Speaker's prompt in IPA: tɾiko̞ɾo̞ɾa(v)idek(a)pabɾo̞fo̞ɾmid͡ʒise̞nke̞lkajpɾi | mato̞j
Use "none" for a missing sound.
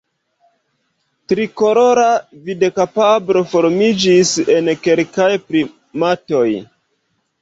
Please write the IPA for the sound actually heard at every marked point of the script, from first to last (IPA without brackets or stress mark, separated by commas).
v, a